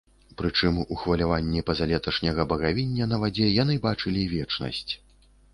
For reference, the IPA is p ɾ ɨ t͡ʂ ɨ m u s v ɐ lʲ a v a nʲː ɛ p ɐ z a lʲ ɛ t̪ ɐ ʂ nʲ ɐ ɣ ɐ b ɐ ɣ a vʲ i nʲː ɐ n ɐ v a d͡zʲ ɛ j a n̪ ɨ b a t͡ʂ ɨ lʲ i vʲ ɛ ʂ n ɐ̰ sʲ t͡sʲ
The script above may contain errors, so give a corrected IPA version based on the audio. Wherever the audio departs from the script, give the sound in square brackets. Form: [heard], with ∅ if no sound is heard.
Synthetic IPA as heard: p ɾ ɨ t͡ʂ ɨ m u [x] v ɐ lʲ a v a nʲː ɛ p ɐ z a lʲ ɛ t̪ ɐ ʂ nʲ ɐ ɣ ɐ b ɐ ɣ a vʲ i nʲː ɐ n ɐ v a d͡zʲ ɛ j a n̪ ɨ b a t͡ʂ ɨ lʲ i vʲ ɛ [t͡ʂ] n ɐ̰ sʲ t͡sʲ

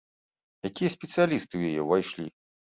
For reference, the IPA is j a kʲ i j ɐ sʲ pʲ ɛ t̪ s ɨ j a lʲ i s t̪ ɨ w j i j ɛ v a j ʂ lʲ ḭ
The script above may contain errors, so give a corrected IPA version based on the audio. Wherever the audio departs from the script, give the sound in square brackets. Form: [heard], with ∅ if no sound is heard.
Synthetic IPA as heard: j a kʲ i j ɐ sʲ pʲ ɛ t̪ s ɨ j a lʲ i s t̪ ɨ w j [a] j ɛ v a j ʂ lʲ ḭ

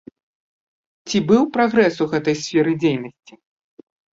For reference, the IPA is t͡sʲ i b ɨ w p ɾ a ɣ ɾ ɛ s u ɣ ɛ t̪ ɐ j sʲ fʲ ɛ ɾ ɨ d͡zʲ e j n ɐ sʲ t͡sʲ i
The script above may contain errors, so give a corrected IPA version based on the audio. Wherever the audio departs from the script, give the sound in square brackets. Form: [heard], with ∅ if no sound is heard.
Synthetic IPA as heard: t͡sʲ i b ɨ w p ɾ a ɣ ɾ ɛ s u ɣ ɛ t̪ ɐ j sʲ fʲ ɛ ɾ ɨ d͡zʲ e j n ɐ sʲ t͡sʲ i

